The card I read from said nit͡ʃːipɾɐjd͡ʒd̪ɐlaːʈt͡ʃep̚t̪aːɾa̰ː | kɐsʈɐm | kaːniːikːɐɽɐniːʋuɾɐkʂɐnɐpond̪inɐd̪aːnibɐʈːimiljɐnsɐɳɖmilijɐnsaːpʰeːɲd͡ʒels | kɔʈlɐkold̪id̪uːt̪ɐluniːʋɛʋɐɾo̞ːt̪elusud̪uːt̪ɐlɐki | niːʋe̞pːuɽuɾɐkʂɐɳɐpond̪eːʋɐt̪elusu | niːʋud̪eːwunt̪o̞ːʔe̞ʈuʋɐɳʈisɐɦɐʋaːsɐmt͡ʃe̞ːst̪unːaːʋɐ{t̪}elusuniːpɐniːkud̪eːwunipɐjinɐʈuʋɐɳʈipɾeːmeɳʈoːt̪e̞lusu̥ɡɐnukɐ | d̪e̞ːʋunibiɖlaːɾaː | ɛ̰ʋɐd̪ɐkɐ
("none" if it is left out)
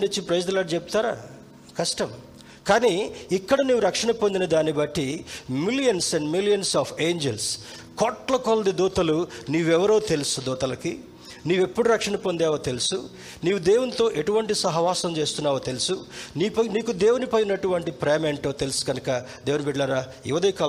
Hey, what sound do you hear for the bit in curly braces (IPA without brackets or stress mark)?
t̪